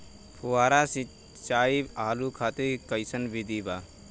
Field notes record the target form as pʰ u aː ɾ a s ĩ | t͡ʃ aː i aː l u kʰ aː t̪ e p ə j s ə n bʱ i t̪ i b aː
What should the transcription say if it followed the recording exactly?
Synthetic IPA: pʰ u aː ɾ a s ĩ | t͡ʃ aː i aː l u kʰ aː t̪ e k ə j s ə n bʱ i d̪ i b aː